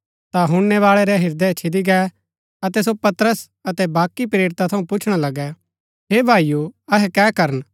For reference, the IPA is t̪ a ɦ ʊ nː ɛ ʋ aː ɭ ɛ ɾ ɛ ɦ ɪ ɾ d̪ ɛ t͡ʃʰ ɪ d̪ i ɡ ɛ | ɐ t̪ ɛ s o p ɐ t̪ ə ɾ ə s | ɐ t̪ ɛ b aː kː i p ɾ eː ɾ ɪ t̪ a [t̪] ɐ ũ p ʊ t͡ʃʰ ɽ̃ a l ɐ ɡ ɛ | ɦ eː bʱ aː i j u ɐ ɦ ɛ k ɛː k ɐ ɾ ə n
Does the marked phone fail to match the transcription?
yes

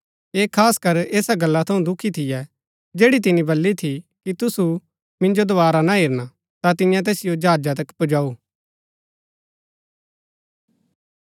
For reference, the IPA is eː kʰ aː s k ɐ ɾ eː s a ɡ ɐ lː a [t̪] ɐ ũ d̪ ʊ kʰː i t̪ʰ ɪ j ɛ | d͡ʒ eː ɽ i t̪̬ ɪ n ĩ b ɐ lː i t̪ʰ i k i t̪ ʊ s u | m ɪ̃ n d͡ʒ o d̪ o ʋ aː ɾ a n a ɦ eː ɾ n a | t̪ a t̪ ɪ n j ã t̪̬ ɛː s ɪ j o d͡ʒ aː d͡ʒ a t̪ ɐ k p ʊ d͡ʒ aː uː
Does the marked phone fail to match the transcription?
yes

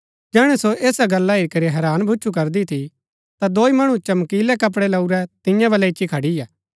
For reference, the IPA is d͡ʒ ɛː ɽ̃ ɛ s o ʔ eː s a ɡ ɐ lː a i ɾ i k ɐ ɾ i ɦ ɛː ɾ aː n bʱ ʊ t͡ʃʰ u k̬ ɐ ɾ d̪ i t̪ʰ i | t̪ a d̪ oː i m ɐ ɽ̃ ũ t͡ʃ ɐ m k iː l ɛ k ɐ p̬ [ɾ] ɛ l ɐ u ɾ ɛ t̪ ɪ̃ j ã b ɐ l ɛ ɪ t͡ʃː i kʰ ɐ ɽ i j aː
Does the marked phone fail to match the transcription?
yes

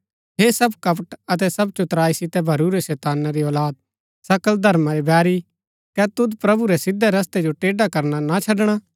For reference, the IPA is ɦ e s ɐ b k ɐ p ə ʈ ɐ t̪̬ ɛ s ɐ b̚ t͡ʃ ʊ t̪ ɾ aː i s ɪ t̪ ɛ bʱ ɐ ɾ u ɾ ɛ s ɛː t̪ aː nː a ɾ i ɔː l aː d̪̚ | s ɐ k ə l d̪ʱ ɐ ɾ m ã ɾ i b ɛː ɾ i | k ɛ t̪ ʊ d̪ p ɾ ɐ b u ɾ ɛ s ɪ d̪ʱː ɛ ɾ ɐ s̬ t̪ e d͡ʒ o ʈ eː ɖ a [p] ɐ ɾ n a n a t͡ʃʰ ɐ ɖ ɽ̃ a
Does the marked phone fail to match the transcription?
yes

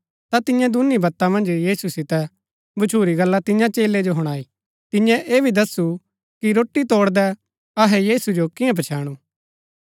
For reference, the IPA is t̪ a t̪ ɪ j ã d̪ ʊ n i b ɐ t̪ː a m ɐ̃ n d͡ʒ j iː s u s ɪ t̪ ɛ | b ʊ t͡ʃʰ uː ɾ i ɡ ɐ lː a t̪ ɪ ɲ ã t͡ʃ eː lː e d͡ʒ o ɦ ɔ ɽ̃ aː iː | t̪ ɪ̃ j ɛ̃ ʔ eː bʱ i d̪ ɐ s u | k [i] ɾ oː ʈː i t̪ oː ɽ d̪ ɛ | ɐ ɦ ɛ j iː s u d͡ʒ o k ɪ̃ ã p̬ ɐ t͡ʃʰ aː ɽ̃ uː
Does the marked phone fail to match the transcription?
no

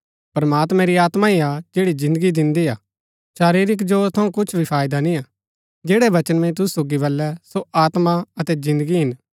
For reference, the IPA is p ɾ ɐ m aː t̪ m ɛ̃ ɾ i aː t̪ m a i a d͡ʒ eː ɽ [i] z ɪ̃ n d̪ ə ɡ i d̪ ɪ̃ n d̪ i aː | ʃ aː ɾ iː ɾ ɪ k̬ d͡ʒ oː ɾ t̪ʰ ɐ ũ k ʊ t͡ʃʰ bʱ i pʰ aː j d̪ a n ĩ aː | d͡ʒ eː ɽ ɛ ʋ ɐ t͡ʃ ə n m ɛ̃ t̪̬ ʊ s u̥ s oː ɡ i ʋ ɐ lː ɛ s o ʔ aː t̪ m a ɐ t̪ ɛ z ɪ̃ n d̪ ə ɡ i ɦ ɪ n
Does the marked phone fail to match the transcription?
no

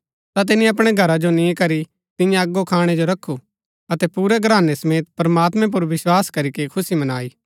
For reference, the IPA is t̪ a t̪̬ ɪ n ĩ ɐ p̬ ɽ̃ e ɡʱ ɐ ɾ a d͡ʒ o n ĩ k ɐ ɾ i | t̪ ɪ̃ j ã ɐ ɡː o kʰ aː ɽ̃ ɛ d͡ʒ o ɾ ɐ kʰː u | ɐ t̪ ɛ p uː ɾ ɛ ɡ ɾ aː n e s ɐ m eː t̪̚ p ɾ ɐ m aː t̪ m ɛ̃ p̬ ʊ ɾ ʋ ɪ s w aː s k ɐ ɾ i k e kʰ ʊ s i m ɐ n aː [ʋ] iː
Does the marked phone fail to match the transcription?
yes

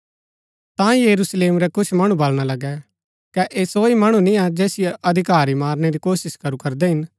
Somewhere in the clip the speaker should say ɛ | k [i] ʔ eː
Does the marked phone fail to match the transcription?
yes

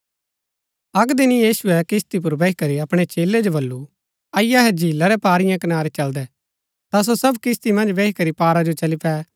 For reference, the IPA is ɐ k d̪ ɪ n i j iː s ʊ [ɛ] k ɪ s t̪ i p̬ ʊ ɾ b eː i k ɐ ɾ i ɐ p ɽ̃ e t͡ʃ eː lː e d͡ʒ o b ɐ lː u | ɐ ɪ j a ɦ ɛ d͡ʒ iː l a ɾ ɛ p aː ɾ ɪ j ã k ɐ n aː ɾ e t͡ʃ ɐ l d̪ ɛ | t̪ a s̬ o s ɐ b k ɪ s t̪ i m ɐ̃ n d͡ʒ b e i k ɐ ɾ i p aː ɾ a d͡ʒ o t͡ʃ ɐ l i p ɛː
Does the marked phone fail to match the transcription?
no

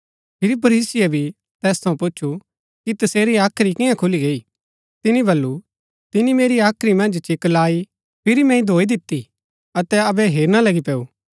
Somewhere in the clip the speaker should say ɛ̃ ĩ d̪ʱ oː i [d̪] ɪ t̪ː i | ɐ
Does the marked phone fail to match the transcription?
no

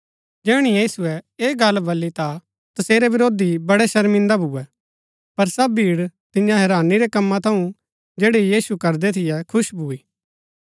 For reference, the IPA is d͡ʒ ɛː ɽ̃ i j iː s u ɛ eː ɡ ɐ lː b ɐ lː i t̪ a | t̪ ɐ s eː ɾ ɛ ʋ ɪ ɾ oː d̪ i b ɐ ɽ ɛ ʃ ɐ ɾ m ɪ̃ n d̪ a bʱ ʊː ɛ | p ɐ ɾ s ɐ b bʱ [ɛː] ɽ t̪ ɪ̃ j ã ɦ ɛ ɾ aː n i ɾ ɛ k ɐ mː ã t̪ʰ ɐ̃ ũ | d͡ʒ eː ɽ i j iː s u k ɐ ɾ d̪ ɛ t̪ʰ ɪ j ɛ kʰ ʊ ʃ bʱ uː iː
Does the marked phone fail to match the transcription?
yes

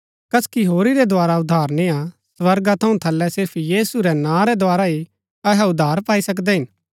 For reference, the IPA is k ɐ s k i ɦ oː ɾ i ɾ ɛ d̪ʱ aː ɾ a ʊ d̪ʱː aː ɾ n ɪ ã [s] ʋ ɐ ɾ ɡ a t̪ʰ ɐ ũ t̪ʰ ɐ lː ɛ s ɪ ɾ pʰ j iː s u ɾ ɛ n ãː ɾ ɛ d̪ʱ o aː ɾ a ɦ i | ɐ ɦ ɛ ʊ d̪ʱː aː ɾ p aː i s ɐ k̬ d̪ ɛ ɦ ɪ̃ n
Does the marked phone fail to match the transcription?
no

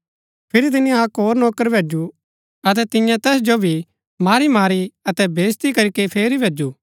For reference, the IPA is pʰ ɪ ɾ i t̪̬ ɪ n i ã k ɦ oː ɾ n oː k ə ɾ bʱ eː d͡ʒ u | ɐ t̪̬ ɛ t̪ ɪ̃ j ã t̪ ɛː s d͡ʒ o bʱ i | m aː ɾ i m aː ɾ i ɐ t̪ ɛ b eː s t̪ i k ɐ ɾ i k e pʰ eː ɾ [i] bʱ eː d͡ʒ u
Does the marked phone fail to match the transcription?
no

